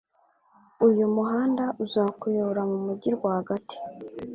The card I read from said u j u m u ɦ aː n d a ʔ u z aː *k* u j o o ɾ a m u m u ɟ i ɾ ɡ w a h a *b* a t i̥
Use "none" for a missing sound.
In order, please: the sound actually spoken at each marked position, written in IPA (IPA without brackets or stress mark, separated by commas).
k, ɡ